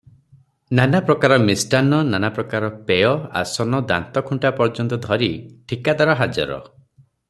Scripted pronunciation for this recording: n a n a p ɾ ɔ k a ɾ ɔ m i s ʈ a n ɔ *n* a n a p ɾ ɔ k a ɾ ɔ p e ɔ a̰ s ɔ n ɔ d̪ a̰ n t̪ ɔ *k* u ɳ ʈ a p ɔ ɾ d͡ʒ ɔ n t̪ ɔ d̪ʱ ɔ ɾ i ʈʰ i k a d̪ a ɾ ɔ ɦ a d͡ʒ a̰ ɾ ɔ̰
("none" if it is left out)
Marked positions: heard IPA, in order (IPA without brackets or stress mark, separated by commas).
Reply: n, kʰ